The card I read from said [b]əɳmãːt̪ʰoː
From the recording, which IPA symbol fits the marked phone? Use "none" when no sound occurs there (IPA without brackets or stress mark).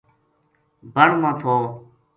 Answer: b